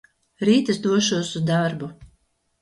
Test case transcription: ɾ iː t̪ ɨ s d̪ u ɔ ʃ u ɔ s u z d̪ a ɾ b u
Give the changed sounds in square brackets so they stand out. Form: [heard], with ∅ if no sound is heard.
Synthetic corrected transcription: ɾ iː t̪ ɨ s d̪ u ɔ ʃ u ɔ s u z d̪ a ɾ b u